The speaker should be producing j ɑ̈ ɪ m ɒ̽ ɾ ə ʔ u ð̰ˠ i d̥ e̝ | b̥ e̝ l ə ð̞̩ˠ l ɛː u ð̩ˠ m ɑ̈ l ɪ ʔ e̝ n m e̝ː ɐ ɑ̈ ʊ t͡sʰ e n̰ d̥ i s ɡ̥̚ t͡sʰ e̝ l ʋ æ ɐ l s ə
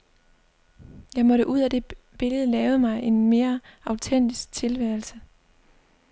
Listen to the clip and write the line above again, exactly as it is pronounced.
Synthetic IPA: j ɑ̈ ɪ m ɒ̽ ɾ ə ʔ u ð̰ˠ æ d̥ e̝ | b̥ e̝ l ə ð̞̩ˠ l ɛː ʊ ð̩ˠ m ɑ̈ ɪ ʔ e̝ n m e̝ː ɐ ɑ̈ ʊ t͡sʰ e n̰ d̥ i s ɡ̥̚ t͡sʰ e̝ l ʋ æ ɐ l s ə